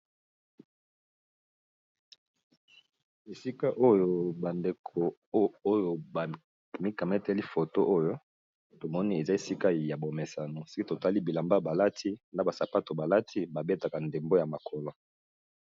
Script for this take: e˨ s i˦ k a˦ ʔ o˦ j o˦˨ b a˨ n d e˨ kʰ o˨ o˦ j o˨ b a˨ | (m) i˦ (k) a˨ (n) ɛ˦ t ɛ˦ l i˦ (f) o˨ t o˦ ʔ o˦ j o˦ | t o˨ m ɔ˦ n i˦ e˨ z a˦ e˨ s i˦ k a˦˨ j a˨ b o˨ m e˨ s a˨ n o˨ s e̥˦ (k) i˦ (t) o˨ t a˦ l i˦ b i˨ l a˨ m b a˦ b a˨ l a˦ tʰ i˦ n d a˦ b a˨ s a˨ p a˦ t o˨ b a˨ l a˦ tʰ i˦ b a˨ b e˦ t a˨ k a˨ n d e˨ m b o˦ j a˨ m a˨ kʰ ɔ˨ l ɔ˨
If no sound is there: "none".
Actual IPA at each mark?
m, k, m, f, k, t

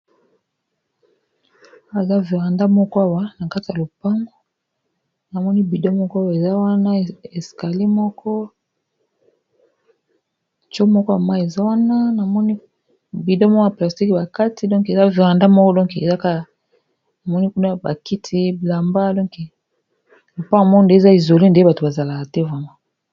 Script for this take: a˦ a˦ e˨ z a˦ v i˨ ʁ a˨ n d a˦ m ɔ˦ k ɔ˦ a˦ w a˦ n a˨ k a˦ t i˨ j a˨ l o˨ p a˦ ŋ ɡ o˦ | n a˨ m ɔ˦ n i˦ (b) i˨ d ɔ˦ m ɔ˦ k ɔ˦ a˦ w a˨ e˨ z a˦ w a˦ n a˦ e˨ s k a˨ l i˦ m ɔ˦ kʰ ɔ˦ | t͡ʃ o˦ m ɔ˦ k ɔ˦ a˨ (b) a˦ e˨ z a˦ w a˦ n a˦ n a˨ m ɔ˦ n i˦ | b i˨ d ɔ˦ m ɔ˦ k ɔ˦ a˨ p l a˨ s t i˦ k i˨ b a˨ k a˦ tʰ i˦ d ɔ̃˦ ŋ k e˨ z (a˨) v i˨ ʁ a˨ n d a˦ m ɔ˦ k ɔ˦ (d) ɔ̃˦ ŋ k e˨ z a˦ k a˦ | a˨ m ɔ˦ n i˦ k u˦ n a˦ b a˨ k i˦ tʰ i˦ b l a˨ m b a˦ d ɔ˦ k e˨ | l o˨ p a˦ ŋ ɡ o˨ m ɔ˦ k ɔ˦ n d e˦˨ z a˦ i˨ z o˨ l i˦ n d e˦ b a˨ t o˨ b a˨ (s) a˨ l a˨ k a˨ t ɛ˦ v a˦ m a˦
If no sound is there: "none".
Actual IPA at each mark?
b, m, a˦, d, z

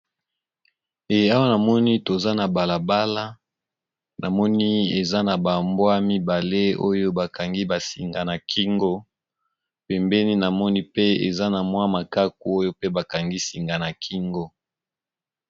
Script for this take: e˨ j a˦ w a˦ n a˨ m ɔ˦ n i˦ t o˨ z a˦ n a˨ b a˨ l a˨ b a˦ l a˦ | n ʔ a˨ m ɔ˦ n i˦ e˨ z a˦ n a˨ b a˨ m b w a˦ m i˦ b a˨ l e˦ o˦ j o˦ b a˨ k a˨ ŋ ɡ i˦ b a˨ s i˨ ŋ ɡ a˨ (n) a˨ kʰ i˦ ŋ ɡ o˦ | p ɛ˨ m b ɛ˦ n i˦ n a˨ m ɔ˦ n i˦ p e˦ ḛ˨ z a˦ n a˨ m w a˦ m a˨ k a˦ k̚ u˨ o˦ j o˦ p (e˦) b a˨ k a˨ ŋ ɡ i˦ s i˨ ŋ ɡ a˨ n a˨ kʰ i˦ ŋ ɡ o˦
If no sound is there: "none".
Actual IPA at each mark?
n, e˦

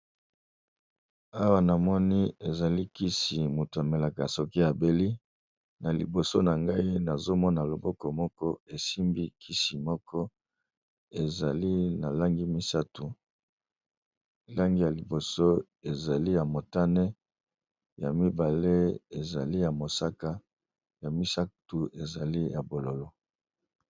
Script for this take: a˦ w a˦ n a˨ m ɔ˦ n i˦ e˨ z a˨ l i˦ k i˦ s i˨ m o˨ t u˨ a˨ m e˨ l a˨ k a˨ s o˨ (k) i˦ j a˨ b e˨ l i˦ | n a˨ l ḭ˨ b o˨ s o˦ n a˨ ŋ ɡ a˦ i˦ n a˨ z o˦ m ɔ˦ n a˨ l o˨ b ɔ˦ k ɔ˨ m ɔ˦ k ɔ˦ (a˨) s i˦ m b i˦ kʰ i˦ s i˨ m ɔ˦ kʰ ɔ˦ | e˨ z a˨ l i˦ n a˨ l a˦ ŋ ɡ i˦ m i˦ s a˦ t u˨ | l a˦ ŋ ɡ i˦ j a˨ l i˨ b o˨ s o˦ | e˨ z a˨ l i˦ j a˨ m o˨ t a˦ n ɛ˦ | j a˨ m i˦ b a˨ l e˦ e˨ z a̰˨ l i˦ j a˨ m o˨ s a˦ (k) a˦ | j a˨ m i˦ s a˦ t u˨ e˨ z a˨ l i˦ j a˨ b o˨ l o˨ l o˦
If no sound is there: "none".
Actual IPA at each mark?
k, e˨, k

